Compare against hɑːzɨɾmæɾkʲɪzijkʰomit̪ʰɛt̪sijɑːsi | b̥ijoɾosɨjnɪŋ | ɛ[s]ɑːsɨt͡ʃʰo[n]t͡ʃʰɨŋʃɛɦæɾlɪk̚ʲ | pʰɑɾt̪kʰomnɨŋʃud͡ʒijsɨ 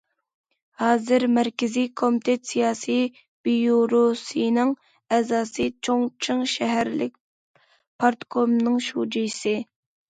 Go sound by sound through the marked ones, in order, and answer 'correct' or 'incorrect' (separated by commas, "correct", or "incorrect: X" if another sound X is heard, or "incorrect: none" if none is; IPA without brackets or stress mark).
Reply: incorrect: z, incorrect: ŋ